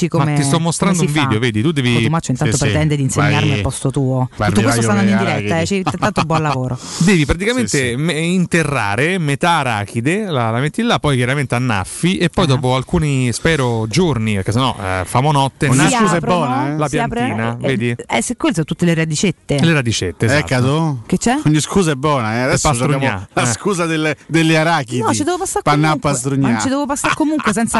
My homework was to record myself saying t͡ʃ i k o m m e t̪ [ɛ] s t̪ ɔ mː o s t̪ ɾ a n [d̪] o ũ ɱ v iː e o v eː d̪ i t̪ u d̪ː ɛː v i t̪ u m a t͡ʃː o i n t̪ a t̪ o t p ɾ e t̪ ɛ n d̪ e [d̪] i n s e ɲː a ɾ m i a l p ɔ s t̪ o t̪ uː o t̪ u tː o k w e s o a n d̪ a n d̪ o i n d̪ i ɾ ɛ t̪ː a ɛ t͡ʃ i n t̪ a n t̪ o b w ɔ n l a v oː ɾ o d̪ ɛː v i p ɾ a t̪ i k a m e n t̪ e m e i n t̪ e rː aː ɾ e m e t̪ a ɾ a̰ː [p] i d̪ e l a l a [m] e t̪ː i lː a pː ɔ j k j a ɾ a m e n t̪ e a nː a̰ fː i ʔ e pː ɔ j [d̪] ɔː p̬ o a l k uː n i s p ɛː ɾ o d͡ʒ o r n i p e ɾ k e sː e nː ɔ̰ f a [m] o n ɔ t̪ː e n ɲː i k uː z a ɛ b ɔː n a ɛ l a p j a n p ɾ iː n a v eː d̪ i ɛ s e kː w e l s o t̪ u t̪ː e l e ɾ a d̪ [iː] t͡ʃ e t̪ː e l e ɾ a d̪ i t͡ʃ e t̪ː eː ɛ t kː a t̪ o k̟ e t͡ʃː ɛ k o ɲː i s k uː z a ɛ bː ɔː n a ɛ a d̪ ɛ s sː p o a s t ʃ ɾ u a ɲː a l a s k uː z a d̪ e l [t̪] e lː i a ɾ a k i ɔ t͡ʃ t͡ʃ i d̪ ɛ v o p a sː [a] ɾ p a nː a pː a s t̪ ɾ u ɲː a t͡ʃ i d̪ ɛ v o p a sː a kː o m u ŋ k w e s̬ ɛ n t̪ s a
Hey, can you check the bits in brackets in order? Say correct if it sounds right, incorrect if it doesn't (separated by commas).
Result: incorrect, correct, correct, incorrect, correct, correct, correct, incorrect, incorrect, correct